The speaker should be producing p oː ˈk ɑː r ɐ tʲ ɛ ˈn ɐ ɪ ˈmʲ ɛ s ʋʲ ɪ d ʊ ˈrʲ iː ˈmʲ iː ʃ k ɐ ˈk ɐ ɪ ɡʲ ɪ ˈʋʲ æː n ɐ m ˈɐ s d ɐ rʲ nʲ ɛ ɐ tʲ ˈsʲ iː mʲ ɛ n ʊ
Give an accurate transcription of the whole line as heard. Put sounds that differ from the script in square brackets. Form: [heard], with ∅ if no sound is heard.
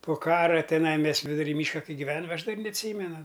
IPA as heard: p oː ˈk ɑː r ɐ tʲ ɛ ˈn ɐ ɪ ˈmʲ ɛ s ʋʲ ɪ d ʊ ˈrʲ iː ˈmʲ iː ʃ k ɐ ˈk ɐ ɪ ɡʲ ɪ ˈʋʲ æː n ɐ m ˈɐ [ʃ] d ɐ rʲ nʲ ɛ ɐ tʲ ˈsʲ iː mʲ ɛ n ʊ